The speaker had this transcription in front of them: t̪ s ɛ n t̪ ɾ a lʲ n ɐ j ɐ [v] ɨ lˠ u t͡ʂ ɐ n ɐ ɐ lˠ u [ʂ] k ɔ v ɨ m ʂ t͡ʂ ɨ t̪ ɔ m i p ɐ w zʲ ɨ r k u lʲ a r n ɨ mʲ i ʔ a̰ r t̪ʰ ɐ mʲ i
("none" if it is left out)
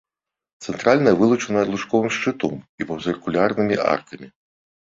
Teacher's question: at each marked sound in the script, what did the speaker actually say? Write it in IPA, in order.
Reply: v, ʂ

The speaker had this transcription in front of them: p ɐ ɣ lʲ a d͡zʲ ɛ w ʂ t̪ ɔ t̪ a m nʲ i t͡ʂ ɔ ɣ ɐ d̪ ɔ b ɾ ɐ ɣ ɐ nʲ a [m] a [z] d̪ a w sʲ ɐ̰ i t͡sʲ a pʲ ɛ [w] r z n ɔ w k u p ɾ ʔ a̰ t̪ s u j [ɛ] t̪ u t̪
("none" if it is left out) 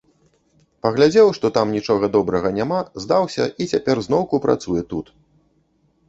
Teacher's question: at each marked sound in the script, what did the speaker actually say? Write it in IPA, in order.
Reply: m, z, none, ɛ

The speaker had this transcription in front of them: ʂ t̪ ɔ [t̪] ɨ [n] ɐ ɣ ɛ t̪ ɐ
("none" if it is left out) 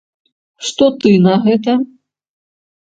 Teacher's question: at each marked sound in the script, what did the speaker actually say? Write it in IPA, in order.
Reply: t̪, n

